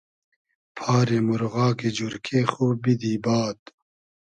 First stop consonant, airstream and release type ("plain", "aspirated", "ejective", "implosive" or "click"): aspirated